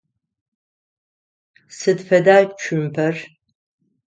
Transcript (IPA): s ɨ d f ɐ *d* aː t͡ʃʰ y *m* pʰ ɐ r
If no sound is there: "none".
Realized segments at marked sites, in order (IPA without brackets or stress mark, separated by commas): d, m